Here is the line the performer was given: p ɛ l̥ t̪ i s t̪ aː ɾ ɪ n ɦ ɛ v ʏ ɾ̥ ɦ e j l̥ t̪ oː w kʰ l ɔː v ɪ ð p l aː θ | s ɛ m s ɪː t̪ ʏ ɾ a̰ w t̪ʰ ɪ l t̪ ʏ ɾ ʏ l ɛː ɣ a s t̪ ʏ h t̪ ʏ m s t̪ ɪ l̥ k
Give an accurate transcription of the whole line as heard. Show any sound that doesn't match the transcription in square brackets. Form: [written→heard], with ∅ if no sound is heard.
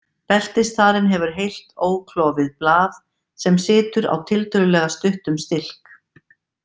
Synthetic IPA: p ɛ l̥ t̪ [i→ɪ] s t̪ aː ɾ ɪ n ɦ ɛ v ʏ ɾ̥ ɦ e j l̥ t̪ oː w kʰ l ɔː v ɪ ð p l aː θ | s ɛ m s ɪː t̪ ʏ ɾ a̰ w t̪ʰ ɪ l t̪ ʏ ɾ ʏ l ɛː ɣ a s t̪ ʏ h t̪ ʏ m s t̪ ɪ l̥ k

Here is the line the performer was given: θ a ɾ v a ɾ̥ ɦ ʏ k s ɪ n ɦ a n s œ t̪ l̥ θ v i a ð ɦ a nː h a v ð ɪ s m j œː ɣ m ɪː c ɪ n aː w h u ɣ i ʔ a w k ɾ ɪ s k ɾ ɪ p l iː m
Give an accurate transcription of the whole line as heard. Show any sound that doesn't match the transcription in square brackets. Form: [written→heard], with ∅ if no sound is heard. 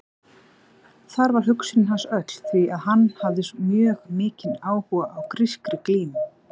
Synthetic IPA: θ a ɾ v a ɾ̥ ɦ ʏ k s ɪ n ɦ a n s œ t̪ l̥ θ v i a ð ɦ a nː h a v ð ɪ s m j œː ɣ m ɪː c ɪ n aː w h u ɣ [i→a] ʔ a w k ɾ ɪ s k ɾ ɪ [p→k] l iː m

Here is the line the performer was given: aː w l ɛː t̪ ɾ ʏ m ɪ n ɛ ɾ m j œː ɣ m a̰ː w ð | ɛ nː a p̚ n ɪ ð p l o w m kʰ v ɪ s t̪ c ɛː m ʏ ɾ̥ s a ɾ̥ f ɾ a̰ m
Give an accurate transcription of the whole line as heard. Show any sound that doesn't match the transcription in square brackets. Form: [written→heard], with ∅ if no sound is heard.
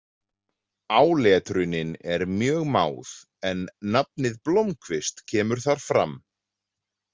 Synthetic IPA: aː w l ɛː t̪ ɾ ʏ [m→n] ɪ n ɛ ɾ m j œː ɣ m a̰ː w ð | ɛ nː a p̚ n ɪ ð p l o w m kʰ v ɪ s t̪ [c→cʰ] ɛː m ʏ ɾ̥ [s→θ] a ɾ̥ f ɾ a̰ m

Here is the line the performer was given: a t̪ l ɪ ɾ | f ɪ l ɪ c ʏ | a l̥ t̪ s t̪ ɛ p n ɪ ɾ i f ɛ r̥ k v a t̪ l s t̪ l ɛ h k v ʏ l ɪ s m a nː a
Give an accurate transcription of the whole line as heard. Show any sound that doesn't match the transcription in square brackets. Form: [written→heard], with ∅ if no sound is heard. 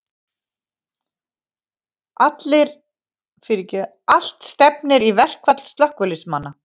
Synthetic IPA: a t̪ l ɪ ɾ | f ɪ [l→ɾ] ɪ c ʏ | a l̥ t̪ s t̪ ɛ p n ɪ ɾ i [f→v] ɛ r̥ k v a t̪ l s t̪ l [ɛ→œ] h k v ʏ l ɪ s m a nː a

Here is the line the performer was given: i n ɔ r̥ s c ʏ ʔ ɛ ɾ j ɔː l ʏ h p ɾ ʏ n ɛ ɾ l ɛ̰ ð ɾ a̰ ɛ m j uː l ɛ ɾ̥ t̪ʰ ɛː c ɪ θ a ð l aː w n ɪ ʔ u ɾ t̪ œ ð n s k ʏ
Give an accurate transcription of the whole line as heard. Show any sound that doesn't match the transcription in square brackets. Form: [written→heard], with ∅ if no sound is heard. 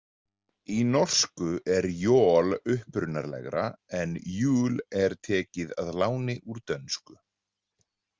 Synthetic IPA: i n ɔ r̥ s [c→k] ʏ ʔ ɛ ɾ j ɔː l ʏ h p ɾ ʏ n [ɛ→a] ɾ l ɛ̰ [ð→ɣ] ɾ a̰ ɛ [m→n] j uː l ɛ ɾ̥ t̪ʰ ɛː c ɪ [θ→ð] a ð l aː w n ɪ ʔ u ɾ t̪ œ [ð→∅] n s k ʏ

